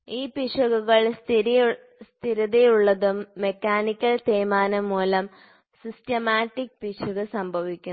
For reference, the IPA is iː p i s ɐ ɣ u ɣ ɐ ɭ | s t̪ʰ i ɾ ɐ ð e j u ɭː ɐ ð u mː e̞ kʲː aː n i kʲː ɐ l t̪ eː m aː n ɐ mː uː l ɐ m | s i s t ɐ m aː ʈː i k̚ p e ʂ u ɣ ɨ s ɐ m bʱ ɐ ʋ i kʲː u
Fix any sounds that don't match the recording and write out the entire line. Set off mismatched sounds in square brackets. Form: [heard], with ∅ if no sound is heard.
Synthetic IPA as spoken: iː p i [ʂ] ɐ ɣ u ɣ ɐ ɭ | s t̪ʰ i ɾ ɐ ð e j u ɭː ɐ ð u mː e̞ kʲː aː n i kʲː ɐ l t̪ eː m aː n ɐ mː uː l ɐ m | s i s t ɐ m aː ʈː i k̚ p [i] ʂ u ɣ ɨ s ɐ m bʱ ɐ ʋ i kʲː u